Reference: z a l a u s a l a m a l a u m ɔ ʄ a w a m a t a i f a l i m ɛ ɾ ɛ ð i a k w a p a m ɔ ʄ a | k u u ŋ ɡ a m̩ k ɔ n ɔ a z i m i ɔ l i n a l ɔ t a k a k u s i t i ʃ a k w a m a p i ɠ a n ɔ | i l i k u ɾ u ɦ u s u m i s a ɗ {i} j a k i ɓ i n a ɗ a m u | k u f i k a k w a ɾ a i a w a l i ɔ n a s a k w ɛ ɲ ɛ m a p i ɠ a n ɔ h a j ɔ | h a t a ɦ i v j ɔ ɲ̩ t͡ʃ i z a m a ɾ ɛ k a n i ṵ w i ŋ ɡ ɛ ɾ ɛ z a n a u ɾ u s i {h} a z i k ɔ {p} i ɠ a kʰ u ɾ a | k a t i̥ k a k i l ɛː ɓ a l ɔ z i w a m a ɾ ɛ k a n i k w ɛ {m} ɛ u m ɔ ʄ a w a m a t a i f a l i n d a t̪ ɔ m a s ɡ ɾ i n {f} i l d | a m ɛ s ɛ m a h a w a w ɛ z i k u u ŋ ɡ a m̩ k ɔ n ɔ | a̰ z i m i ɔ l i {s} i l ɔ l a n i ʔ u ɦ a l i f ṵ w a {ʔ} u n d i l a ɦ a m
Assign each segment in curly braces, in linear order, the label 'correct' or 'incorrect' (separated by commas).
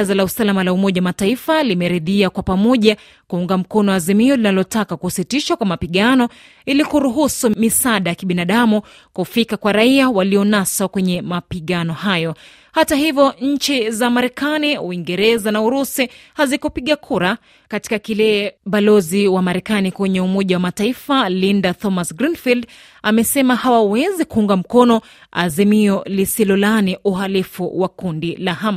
incorrect, correct, correct, incorrect, correct, correct, incorrect